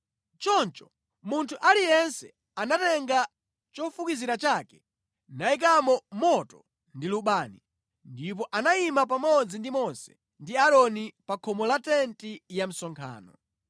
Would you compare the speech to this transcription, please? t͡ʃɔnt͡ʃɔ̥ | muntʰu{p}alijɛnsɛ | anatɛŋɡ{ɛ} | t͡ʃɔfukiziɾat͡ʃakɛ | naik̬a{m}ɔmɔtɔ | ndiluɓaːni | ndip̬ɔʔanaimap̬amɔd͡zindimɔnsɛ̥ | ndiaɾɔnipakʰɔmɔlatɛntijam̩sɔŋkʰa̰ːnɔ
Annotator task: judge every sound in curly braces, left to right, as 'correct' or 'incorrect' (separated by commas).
incorrect, incorrect, correct